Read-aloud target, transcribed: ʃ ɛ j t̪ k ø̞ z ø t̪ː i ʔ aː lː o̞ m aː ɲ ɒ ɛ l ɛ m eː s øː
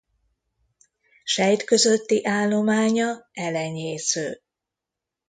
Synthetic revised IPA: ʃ ɛ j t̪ k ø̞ z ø t̪ː i ʔ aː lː o̞ m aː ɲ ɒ ɛ l ɛ ɲ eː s øː